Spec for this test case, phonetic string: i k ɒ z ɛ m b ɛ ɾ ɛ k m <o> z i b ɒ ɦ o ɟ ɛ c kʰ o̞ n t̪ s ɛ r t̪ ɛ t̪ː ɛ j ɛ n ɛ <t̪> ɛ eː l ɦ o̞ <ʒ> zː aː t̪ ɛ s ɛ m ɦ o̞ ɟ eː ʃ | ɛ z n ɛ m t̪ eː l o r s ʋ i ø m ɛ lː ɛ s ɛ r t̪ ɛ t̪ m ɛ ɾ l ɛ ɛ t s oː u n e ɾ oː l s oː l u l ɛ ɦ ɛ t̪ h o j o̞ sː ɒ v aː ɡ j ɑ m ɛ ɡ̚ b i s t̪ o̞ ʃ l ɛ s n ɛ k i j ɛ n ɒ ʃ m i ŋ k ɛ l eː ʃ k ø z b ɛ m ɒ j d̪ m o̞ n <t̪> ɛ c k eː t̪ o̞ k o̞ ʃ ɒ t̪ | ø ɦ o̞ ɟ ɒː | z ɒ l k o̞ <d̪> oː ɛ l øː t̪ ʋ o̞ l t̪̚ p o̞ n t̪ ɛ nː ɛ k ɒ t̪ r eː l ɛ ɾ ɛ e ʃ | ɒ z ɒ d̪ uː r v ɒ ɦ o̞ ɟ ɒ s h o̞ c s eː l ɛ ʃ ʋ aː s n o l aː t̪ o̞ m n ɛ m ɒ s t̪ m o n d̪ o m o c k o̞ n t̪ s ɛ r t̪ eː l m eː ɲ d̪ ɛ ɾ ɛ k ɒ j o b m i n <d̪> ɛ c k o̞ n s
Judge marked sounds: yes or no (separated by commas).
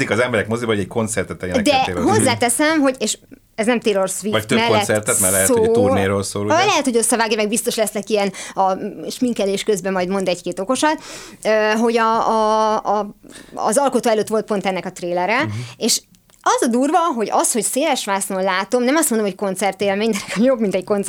yes, no, no, no, no, no